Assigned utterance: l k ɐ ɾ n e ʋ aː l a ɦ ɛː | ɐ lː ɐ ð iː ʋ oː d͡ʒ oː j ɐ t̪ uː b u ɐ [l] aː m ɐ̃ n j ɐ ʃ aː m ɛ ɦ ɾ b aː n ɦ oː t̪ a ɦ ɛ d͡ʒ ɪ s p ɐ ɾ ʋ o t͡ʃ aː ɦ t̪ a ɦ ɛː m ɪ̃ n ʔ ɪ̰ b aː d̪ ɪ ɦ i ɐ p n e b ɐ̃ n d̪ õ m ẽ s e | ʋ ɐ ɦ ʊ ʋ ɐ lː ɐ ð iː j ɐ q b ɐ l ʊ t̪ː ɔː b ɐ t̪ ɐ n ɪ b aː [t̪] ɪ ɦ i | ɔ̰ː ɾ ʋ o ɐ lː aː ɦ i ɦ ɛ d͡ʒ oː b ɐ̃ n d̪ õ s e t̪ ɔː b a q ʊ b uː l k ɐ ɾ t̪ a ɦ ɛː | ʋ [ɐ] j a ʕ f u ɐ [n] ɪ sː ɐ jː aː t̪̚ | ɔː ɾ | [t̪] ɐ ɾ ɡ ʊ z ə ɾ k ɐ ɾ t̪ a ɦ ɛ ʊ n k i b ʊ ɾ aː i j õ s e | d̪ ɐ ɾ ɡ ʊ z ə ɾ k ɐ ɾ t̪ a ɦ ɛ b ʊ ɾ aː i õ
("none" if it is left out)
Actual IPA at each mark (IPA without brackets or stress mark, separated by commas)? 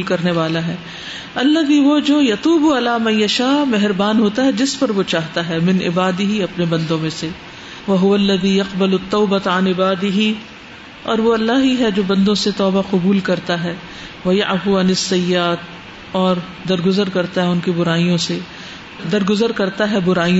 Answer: l, d̪, ɐ, n, d̪